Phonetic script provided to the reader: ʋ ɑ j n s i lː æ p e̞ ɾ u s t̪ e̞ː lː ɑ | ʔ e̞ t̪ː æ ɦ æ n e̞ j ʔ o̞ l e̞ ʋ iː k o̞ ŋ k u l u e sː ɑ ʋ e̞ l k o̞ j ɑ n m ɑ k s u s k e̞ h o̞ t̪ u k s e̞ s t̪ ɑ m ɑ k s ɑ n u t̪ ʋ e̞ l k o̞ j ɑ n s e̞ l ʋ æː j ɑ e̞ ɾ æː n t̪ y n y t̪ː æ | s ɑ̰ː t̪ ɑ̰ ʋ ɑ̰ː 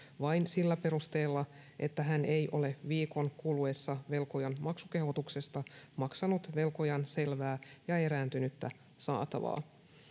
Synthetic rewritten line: ʋ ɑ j n s i lː æ p e̞ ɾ u s t̪ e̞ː lː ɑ | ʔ e̞ t̪ː æ ɦ æ n e̞ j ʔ o̞ l e̞ ʋ iː k o̞ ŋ k u l u e sː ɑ ʋ e̞ l k o̞ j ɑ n m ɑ k s u k e̞ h o̞ t̪ u k s e̞ s t̪ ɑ m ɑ k s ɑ n u t̪ ʋ e̞ l k o̞ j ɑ n s e̞ l ʋ æː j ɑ e̞ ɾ æː n t̪ y n y t̪ː æ | s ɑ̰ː t̪ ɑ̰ ʋ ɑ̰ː